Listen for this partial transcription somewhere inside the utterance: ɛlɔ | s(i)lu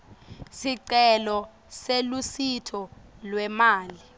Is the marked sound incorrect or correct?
incorrect